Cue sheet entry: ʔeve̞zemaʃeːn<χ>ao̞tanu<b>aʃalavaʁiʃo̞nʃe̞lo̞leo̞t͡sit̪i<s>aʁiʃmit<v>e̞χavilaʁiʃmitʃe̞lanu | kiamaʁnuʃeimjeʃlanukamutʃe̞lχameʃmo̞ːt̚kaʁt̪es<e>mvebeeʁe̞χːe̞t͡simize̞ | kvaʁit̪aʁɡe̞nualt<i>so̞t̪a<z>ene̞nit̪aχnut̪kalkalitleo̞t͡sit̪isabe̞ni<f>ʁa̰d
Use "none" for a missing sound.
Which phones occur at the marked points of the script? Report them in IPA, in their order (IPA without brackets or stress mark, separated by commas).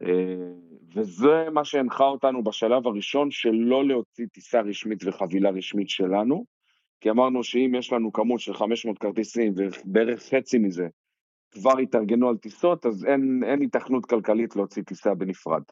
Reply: χ, b, s, v, i, i, z, f